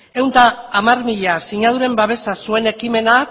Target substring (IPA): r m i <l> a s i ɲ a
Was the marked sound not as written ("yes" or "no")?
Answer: yes